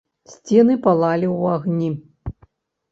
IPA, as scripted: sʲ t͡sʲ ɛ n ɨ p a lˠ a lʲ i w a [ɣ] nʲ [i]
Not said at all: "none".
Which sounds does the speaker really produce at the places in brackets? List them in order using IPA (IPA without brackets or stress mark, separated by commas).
ɣ, i